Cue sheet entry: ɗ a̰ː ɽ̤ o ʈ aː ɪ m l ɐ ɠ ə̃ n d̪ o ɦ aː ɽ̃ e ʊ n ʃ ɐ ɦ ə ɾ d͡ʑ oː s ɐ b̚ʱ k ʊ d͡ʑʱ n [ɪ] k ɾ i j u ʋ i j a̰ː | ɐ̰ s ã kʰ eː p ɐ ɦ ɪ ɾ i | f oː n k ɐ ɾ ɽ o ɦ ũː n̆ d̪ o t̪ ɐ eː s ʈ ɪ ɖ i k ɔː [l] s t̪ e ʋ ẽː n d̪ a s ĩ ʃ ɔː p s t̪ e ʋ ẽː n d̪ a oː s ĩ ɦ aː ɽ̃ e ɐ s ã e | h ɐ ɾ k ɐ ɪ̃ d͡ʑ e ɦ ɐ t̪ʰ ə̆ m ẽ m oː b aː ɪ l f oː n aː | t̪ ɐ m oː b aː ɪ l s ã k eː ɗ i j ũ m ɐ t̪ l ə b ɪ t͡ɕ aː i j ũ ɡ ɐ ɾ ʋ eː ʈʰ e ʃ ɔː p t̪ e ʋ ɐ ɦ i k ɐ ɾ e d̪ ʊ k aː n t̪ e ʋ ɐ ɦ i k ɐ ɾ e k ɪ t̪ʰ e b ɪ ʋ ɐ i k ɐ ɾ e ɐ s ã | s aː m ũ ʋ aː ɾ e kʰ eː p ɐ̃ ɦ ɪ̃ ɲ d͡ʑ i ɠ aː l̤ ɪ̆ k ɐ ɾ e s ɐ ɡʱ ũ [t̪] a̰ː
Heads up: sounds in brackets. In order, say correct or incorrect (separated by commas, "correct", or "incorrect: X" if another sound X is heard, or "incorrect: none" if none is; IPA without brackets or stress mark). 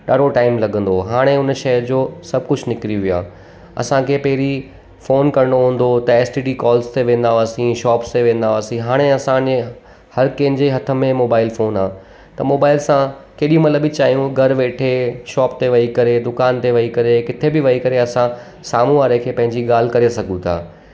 correct, correct, incorrect: t̪ʰ